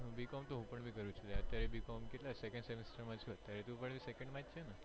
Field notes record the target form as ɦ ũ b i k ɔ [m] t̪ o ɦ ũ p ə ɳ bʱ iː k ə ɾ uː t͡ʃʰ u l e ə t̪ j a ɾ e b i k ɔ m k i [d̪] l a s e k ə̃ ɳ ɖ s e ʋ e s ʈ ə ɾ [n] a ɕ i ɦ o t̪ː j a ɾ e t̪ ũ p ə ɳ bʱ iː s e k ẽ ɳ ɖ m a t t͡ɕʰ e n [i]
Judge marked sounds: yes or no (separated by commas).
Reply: yes, no, no, no